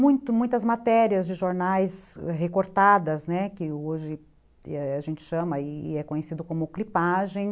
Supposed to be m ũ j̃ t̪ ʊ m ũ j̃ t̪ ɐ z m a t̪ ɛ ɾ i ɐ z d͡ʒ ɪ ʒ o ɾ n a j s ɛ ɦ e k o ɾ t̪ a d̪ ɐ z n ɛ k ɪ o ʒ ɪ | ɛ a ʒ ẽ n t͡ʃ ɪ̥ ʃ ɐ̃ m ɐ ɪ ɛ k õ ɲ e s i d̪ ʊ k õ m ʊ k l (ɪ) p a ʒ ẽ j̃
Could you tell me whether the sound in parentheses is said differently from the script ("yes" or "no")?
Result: yes